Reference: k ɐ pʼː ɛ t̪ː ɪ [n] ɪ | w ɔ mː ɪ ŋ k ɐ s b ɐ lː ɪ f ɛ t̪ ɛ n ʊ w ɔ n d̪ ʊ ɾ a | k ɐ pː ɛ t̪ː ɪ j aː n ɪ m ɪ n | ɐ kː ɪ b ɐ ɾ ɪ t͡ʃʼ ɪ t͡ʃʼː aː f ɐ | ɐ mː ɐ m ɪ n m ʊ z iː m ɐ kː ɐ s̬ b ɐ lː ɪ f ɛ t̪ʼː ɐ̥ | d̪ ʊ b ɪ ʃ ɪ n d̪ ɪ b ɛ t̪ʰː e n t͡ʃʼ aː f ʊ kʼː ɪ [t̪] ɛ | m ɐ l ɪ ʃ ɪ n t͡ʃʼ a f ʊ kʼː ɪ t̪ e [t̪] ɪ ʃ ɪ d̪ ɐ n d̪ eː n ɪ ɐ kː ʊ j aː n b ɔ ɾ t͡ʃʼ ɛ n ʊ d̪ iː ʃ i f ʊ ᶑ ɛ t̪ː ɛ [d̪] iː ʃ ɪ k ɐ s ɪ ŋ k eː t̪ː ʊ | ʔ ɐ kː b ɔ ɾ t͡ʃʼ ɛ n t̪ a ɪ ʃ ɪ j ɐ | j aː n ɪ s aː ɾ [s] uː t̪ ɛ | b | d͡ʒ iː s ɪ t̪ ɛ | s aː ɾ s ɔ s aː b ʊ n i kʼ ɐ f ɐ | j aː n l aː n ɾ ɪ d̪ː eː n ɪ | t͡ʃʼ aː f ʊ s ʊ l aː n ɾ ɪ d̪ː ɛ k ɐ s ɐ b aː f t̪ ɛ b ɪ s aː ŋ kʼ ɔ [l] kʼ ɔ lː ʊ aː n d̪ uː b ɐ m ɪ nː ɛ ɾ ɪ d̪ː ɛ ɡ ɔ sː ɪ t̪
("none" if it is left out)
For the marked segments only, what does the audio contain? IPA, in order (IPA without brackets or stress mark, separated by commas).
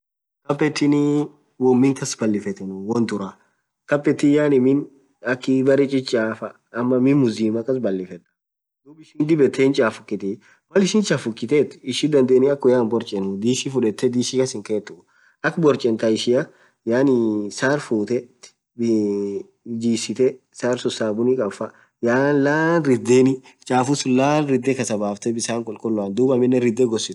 n, t̪, t̪, d̪, f, l